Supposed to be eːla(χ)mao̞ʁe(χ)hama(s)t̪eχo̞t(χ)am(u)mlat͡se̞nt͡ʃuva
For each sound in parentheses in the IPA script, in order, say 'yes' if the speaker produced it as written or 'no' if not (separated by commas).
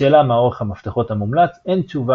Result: no, yes, no, no, yes